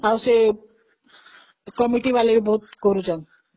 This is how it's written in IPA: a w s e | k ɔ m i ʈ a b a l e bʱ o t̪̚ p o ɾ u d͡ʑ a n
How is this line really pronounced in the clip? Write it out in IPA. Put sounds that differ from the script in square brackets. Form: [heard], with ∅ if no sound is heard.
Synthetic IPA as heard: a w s e | k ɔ m i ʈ [i] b a l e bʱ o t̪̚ [k] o ɾ u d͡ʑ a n